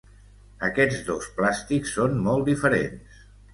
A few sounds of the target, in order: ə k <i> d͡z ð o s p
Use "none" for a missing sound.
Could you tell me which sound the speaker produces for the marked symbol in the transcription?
ɛ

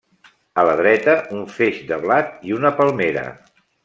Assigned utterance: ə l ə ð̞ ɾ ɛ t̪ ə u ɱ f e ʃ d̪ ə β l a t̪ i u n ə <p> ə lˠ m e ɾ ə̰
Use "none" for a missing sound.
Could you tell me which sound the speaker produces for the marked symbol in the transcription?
p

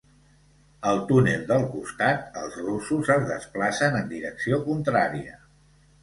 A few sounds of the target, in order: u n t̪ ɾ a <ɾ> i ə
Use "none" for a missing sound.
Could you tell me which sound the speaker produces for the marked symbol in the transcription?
ɾ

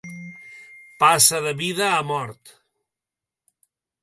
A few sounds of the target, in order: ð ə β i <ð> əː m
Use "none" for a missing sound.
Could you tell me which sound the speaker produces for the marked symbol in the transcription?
ð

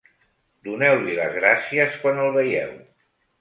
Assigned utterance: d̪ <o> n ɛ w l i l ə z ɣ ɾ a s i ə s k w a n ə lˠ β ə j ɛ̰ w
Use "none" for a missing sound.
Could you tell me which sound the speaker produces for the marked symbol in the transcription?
u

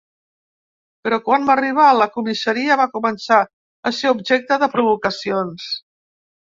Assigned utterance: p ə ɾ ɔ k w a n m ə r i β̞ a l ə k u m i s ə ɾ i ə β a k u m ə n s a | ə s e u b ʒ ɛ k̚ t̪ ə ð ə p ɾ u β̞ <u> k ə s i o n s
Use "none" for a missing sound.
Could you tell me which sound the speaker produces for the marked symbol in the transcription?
u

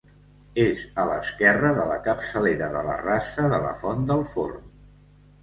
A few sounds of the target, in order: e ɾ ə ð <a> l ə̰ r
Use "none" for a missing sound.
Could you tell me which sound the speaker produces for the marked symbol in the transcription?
ə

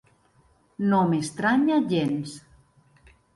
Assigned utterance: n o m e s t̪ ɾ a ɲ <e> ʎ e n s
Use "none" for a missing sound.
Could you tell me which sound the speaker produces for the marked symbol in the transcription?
a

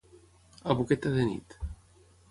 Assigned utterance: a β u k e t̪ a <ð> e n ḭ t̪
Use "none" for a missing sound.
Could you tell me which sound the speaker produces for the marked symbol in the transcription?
ð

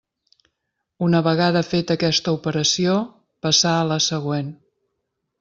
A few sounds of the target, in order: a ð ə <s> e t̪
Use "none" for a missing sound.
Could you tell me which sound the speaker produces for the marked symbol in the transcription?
f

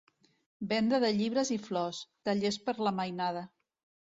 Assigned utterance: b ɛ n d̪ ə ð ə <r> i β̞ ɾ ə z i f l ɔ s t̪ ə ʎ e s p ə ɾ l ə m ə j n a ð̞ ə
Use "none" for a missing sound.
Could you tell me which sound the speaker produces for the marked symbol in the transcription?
ʎ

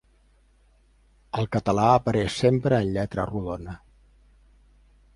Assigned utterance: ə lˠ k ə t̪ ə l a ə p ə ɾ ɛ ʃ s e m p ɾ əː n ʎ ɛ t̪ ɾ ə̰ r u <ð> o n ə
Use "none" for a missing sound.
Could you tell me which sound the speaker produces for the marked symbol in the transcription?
ð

